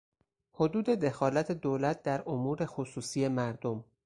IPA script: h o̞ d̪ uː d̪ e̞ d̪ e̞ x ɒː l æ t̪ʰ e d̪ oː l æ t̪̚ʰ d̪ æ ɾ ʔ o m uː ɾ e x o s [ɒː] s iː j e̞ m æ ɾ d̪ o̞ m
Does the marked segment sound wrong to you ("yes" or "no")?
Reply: yes